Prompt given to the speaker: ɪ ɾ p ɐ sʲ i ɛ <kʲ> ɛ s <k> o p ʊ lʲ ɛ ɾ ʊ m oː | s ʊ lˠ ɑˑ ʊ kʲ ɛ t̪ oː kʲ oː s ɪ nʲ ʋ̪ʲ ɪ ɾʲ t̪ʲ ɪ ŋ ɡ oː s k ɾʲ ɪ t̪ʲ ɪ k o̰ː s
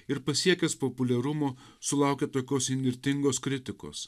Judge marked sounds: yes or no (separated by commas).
yes, no